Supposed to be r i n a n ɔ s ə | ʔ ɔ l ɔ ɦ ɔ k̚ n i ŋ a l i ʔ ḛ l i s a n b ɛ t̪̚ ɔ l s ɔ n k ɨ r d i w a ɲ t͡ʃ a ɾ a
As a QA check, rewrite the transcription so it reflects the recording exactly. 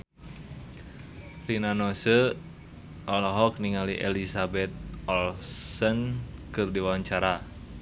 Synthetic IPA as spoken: r i n a n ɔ s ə | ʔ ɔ l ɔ ɦ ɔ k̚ n i ŋ a l i ʔ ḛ l i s a b ɛ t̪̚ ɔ l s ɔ n k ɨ r d i w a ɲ t͡ʃ a ɾ a